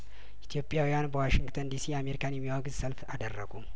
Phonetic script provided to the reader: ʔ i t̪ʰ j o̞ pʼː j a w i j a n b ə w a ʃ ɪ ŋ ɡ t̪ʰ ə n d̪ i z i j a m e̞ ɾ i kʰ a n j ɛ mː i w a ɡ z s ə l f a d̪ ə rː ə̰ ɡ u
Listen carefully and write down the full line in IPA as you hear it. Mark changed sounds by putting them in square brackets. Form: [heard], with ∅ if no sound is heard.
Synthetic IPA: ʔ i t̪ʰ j o̞ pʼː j a w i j a n b ə w a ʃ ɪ ŋ ɡ t̪ʰ ə n d̪ i [s] i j a m e̞ ɾ i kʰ a n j ɛ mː i w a ɡ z s ə l f a d̪ ə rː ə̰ ɡ u